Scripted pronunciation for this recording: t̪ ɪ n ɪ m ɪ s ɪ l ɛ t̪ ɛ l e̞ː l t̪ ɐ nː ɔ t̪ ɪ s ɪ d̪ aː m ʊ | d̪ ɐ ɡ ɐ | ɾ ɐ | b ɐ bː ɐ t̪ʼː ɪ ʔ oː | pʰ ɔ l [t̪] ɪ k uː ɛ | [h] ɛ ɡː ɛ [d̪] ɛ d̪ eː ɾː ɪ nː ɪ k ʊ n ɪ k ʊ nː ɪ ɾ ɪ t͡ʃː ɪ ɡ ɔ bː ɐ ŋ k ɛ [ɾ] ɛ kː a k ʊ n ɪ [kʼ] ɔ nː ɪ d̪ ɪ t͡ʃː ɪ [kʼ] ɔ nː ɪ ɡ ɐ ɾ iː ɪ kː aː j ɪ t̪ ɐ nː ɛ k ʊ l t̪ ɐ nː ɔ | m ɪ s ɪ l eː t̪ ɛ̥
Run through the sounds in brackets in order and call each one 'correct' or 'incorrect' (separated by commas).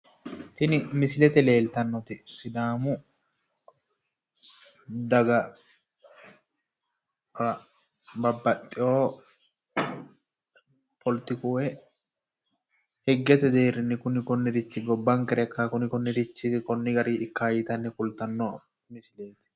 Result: correct, correct, incorrect, correct, incorrect, incorrect